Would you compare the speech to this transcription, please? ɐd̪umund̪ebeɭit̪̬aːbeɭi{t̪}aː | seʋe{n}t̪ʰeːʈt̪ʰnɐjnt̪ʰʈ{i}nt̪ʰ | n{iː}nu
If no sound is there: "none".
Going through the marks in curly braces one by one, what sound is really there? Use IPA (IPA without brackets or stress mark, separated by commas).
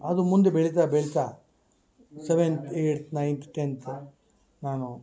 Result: t̪, n, e, aː